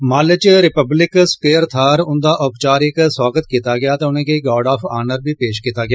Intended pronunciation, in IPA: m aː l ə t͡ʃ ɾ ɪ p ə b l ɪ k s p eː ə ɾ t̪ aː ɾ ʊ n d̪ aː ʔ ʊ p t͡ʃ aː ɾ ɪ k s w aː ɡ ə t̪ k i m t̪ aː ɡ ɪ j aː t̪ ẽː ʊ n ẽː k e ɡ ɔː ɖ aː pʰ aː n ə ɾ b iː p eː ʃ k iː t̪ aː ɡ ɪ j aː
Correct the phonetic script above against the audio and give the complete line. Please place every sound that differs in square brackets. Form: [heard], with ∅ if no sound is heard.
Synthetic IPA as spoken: m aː l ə t͡ʃ ɾ ɪ p ə b l ɪ k s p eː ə ɾ [t̪ʰ] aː ɾ ʊ n d̪ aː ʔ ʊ p t͡ʃ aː ɾ ɪ k s w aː ɡ ə t̪ k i [∅] t̪ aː ɡ ɪ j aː t̪ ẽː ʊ n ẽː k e ɡ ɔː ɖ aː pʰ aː n ə ɾ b iː p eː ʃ k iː t̪ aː ɡ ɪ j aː